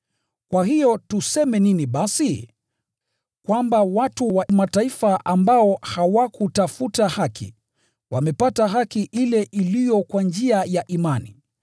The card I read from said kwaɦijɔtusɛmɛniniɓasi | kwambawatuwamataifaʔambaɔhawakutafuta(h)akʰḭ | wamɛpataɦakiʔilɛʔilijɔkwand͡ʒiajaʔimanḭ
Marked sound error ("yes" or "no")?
no